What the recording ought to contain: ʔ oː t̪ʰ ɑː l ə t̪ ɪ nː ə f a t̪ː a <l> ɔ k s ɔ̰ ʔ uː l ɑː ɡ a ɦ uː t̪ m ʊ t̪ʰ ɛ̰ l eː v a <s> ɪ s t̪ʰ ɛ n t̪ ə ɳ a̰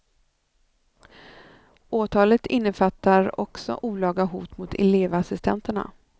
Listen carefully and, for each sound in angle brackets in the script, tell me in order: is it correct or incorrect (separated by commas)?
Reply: incorrect, correct